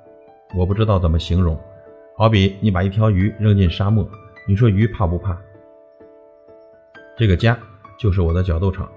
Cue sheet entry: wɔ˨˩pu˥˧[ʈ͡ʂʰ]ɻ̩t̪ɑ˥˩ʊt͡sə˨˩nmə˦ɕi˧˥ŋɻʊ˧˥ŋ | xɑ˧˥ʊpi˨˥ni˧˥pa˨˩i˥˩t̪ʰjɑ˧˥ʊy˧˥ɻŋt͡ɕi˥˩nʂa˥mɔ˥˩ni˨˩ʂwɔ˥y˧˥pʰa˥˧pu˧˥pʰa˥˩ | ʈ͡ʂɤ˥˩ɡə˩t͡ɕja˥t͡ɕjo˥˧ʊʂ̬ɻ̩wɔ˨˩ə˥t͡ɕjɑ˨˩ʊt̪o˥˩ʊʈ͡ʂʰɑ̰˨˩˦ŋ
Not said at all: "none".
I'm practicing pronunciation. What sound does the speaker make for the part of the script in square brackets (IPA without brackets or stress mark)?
ʈ͡ʂ